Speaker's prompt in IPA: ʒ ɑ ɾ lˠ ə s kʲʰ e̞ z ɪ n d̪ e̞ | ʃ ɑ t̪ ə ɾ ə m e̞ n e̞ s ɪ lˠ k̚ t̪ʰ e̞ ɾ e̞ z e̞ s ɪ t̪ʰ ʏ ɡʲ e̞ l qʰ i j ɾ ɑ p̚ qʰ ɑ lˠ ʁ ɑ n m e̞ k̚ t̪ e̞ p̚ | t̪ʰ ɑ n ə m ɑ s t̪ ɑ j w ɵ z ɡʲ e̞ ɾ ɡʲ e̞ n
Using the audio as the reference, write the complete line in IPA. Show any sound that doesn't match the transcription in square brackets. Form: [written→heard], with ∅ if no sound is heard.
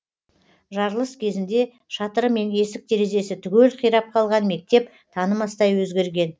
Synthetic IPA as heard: ʒ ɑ ɾ lˠ ə s kʲʰ e̞ z ɪ n d̪ e̞ | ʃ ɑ t̪ ə ɾ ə m e̞ n e̞ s ɪ [lˠ→∅] k̚ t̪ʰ e̞ ɾ e̞ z e̞ s ɪ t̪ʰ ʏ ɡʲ e̞ l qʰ i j ɾ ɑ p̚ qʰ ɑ lˠ ʁ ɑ n m e̞ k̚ t̪ e̞ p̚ | t̪ʰ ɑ n ə m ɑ s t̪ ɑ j w ɵ z ɡʲ e̞ ɾ ɡʲ e̞ n